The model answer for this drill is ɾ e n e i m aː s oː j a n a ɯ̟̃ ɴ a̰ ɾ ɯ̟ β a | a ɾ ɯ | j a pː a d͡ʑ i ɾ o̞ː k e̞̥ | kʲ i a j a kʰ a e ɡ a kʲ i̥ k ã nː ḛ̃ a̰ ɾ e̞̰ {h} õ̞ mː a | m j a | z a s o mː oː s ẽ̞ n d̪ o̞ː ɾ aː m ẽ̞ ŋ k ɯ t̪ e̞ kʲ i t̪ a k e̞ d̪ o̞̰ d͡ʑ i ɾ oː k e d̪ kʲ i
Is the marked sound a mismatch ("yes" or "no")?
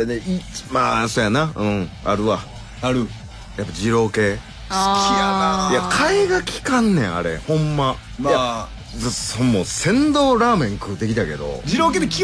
no